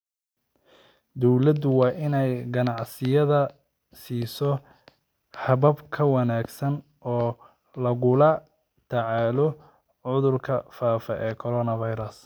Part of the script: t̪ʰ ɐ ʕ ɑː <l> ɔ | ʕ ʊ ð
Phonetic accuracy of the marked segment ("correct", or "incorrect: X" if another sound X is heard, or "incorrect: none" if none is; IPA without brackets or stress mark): correct